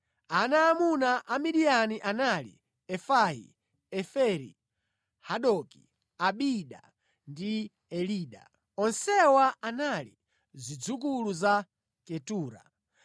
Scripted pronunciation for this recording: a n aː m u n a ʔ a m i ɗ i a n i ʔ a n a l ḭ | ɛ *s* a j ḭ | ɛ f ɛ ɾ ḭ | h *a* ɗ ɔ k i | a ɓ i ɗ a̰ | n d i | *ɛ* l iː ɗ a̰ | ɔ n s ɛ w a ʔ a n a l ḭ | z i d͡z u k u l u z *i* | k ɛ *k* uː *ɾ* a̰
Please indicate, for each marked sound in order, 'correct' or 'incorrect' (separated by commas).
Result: incorrect, correct, correct, incorrect, incorrect, correct